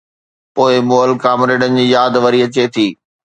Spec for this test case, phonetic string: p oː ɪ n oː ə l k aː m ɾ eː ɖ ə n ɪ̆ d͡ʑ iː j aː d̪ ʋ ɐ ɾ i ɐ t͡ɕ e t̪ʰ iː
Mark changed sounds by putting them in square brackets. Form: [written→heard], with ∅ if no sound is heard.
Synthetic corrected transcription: p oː ɪ [n→m] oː ə l k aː m ɾ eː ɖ ə n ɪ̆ d͡ʑ iː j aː d̪ ʋ ɐ ɾ i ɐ t͡ɕ e t̪ʰ iː